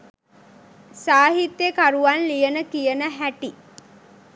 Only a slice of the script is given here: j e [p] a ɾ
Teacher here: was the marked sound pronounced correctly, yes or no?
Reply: no